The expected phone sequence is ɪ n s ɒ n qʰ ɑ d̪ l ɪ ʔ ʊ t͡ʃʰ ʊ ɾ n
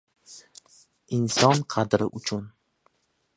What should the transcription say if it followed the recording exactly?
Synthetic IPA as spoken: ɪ n s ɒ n qʰ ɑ d̪ ɾ ɪ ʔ ʊ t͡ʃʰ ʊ n